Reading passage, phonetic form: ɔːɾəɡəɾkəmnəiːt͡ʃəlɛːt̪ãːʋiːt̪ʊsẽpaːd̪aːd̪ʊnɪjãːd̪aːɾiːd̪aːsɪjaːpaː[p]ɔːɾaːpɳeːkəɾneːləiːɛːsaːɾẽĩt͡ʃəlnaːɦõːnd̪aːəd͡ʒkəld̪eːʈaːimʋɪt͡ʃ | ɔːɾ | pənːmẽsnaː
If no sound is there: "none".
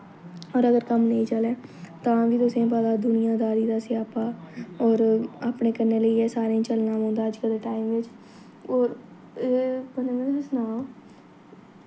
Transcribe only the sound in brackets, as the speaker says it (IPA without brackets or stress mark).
none